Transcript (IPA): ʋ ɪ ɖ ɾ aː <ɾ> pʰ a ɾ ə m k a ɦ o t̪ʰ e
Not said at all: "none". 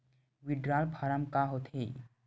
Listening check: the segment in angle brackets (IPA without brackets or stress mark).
l